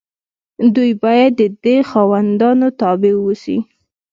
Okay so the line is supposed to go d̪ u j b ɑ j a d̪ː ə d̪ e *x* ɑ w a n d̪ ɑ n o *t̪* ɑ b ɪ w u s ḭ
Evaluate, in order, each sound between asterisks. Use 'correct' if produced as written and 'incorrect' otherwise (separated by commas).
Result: correct, correct